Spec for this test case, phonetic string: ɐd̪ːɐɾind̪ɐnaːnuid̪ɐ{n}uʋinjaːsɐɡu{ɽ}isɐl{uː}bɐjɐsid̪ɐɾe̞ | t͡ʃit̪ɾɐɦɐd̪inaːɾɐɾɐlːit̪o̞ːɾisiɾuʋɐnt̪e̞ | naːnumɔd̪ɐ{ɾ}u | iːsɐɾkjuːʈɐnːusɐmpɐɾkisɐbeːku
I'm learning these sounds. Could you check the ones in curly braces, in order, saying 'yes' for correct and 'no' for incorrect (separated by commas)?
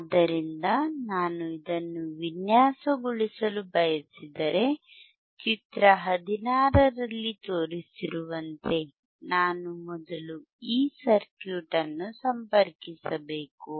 no, no, no, no